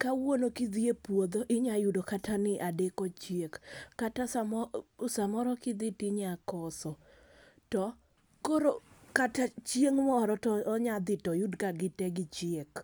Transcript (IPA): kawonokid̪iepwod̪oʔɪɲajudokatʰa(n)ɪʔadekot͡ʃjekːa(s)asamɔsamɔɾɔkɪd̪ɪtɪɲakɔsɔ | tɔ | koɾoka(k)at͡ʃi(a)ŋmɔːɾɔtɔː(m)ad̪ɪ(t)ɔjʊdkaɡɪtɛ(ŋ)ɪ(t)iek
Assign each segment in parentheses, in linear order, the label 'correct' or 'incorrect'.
correct, incorrect: t, incorrect: t, incorrect: e, incorrect: ɲ, correct, incorrect: ɡ, incorrect: t͡ʃ

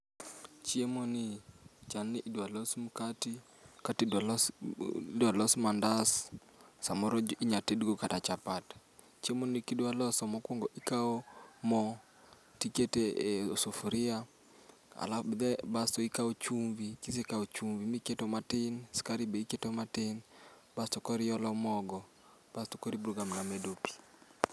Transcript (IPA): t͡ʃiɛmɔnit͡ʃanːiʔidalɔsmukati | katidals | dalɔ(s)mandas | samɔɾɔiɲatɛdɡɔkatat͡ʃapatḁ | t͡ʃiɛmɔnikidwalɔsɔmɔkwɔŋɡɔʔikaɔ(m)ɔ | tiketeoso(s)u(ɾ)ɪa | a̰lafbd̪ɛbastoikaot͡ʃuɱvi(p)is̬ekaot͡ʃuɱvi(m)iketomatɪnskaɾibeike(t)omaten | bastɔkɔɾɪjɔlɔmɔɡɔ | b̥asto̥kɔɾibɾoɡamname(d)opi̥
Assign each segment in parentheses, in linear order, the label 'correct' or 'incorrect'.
correct, correct, incorrect: f, correct, incorrect: k, correct, correct, correct

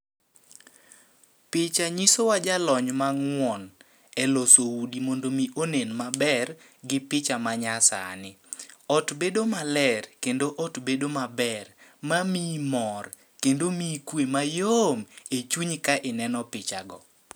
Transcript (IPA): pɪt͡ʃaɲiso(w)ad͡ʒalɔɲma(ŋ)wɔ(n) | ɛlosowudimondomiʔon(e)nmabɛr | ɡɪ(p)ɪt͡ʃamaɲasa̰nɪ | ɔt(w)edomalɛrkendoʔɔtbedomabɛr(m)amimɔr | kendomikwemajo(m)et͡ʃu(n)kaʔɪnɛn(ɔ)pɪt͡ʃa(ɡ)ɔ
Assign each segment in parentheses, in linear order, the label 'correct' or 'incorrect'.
correct, correct, correct, correct, correct, incorrect: b, correct, correct, incorrect: ɲ, correct, correct

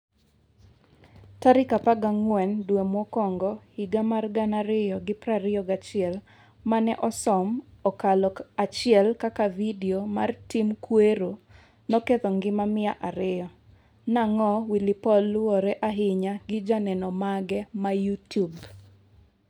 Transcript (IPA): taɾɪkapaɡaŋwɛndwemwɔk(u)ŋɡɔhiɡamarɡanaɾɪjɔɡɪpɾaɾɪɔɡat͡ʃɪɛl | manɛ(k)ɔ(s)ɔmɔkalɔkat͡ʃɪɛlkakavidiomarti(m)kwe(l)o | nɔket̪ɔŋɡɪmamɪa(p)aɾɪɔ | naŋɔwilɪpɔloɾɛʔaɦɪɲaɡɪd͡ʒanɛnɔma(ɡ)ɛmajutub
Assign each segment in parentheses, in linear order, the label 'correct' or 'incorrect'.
incorrect: ɔ, incorrect: ʔ, correct, correct, incorrect: ɾ, incorrect: ʔ, correct

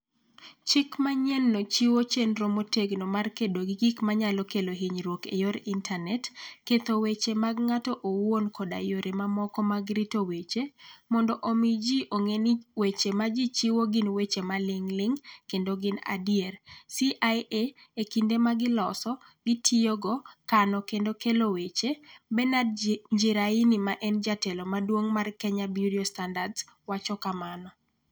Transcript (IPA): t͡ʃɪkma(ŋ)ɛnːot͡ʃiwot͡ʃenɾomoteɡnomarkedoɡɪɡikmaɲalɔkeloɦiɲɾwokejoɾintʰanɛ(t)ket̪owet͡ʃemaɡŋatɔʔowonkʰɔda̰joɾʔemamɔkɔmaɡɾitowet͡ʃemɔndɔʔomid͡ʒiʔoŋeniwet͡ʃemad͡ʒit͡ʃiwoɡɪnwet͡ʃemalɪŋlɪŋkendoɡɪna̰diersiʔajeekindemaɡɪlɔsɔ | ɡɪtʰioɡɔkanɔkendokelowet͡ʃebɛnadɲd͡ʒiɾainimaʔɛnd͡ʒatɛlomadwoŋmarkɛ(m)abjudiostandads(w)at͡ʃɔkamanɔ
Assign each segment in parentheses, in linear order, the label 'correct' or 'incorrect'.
incorrect: ɲ, correct, incorrect: ɲ, correct

